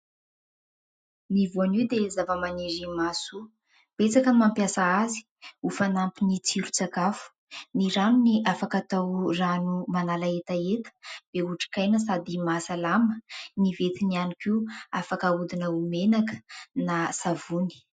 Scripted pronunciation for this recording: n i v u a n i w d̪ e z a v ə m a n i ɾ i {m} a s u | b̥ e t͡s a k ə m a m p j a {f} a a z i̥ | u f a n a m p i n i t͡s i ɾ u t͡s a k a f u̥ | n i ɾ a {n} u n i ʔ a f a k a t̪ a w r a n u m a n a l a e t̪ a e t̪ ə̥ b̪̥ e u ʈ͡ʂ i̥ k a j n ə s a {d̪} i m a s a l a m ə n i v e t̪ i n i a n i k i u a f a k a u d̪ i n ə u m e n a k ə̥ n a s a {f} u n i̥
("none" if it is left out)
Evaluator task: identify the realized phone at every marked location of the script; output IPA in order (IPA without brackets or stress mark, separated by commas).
m, s, n, d̪, v